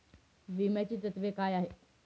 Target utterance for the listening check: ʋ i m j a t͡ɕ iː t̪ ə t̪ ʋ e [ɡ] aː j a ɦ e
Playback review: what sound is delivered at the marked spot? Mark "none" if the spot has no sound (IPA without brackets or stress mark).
k